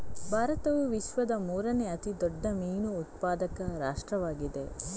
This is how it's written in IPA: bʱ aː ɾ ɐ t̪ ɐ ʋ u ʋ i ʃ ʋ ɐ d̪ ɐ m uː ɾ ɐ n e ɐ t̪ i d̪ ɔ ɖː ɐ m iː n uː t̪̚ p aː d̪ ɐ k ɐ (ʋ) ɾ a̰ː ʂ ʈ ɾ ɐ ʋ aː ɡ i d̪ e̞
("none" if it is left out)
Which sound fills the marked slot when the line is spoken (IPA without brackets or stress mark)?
none